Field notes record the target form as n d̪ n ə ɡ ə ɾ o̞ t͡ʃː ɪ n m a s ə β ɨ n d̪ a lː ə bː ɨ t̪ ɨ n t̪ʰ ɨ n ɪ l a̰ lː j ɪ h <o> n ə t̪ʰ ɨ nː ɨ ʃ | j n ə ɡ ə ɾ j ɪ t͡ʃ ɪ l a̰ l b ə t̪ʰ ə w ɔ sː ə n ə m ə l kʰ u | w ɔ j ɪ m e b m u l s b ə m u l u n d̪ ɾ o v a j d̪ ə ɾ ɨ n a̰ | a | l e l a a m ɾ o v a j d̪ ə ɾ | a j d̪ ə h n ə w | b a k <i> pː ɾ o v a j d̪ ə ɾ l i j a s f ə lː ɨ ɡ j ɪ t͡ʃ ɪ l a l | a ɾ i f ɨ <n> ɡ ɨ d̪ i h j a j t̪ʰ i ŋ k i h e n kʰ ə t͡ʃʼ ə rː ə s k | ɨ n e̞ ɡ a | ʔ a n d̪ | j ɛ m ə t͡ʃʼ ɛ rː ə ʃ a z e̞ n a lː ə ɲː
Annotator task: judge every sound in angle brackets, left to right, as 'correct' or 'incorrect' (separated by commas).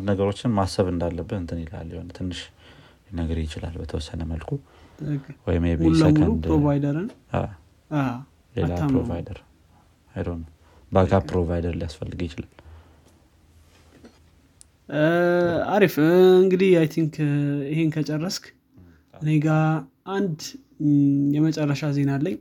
correct, incorrect, incorrect